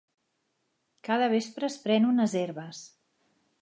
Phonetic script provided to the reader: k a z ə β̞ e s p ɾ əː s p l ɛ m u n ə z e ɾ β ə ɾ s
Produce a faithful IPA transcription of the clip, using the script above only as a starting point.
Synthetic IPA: k a ð ə β̞ e s p ɾ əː s p ɾ ɛ n u n ə z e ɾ β ə s